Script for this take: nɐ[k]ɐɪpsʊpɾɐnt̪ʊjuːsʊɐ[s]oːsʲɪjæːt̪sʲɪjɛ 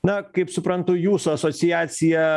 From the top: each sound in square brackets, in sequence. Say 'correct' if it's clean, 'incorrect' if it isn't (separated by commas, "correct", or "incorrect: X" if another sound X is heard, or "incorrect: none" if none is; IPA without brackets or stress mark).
correct, correct